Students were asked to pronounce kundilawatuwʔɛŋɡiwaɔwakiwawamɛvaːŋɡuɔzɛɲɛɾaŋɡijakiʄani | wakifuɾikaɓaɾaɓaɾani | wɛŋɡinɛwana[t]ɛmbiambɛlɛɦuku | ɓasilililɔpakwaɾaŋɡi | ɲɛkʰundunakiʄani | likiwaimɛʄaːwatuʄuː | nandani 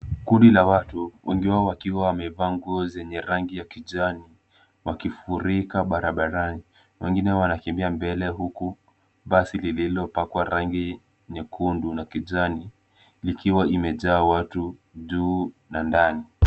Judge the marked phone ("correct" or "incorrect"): incorrect